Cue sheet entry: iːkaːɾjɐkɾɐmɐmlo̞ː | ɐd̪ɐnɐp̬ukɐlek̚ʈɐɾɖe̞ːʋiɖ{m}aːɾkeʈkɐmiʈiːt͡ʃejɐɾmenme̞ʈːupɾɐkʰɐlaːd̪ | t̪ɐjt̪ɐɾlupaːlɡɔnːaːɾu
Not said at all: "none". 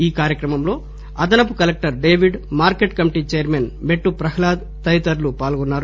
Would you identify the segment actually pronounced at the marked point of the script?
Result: m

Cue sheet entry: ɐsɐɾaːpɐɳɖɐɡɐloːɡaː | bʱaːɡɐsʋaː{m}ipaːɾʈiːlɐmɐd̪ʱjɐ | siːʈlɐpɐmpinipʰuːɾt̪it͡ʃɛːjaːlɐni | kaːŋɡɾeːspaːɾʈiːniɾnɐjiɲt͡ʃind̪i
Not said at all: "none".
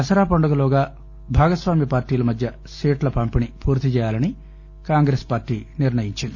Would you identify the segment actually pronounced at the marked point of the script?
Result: m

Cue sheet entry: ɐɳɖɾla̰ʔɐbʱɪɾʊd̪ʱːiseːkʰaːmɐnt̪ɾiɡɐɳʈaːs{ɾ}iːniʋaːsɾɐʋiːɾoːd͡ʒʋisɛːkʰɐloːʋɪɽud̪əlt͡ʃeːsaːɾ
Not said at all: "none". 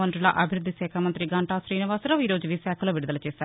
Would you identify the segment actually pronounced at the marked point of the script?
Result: ɾ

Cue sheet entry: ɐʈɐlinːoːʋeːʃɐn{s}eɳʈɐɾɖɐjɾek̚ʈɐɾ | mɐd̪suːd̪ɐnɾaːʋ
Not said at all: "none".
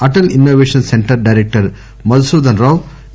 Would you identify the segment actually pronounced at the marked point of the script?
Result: s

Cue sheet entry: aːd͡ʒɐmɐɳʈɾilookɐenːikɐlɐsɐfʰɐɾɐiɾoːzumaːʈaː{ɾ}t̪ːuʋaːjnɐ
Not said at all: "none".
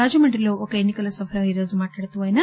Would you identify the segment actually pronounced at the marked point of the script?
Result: ɽ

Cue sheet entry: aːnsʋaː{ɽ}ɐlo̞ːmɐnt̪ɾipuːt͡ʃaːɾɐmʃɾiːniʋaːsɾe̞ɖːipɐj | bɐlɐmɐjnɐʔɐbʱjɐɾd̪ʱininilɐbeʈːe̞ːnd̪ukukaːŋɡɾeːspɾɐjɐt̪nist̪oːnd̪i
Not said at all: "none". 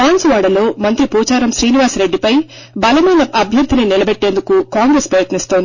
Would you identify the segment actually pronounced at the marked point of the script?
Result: ɽ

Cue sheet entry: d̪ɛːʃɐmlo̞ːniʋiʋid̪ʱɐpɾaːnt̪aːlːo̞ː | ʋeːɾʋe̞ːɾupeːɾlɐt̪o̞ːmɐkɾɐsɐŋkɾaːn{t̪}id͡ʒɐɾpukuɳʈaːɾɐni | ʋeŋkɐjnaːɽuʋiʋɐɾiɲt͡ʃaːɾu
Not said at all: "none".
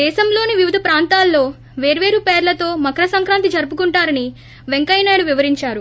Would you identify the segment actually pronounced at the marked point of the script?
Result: t̪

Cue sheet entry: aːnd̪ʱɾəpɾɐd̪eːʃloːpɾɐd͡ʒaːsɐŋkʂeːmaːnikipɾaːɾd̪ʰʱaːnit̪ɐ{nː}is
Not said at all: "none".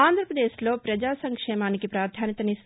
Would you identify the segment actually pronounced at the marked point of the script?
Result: n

